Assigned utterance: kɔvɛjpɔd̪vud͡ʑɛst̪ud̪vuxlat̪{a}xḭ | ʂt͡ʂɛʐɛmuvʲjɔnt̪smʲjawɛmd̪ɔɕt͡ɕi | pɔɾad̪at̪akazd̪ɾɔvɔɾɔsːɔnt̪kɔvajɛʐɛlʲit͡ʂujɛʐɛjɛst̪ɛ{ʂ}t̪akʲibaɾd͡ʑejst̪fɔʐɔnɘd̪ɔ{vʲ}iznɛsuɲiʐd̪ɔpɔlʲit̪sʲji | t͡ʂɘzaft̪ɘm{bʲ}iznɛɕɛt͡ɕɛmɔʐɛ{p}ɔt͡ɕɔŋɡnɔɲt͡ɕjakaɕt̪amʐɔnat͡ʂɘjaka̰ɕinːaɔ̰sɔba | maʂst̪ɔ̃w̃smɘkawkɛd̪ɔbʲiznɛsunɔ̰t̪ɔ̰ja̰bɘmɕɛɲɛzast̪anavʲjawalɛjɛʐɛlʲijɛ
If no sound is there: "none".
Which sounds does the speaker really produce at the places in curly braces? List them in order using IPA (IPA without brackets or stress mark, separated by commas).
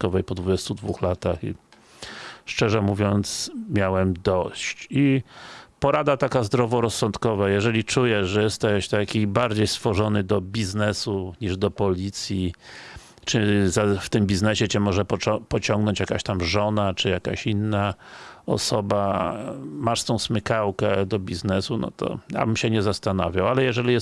a, ɕ, bʲ, bʲ, p